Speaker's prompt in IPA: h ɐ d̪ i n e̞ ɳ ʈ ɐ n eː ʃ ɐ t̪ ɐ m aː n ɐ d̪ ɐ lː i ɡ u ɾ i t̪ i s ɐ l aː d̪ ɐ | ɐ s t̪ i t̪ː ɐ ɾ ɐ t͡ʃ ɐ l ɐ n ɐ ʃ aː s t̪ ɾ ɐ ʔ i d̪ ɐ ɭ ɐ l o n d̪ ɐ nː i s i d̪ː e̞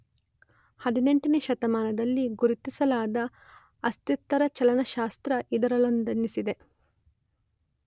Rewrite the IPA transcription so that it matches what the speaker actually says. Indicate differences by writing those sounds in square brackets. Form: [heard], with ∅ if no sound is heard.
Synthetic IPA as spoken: h ɐ d̪ i n e̞ ɳ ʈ ɐ n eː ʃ ɐ t̪ ɐ m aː n ɐ d̪ ɐ lː i ɡ u ɾ i t̪ i s ɐ l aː d̪ ɐ | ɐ s t̪ i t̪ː ɐ ɾ ɐ t͡ʃ ɐ l ɐ n ɐ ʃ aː s t̪ ɾ ɐ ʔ i d̪ ɐ [ɾ] ɐ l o n d̪ ɐ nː i s i [d̪] e̞